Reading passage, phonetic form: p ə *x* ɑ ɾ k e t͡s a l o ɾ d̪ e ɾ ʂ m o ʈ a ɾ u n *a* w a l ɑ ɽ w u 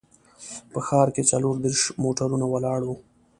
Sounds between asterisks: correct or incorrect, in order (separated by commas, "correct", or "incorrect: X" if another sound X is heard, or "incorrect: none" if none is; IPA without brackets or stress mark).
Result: correct, correct